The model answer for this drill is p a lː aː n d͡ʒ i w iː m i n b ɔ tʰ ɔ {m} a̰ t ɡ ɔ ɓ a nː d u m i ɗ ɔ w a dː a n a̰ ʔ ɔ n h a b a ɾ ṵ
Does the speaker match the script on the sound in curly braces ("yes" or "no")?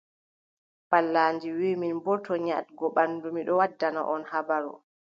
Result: no